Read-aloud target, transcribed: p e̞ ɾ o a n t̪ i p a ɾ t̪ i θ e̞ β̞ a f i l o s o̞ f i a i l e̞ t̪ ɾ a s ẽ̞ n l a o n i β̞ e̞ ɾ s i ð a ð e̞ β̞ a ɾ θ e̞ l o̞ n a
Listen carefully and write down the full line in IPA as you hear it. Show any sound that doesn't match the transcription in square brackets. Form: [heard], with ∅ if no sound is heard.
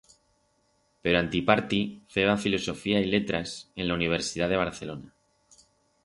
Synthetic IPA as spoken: p e̞ ɾ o a n t̪ i p a ɾ t̪ i θ e̞ β̞ a f i l o s o̞ f i a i l e̞ t̪ ɾ a s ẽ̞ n l a [u] n i β̞ e̞ ɾ s i ð a ð e̞ β̞ a ɾ θ e̞ l o̞ n a